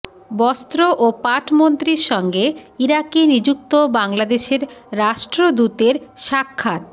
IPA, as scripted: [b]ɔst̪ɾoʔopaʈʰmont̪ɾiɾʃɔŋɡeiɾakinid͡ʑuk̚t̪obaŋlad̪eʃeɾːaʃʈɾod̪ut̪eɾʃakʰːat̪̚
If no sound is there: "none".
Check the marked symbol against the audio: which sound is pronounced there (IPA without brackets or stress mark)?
b